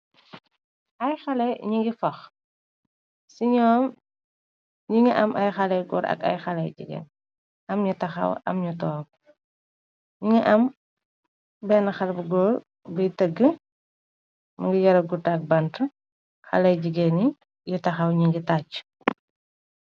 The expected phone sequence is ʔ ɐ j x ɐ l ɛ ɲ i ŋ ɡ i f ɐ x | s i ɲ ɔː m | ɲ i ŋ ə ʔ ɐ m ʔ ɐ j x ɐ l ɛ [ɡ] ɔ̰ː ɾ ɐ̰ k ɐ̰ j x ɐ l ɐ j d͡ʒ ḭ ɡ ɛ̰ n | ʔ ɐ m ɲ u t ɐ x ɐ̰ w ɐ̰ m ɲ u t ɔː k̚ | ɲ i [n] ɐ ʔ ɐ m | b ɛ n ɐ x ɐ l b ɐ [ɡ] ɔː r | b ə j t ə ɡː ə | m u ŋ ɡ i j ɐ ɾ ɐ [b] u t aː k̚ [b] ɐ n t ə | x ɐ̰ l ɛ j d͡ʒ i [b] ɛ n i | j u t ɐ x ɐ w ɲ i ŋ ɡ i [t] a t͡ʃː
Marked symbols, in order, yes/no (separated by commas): yes, no, yes, no, yes, no, yes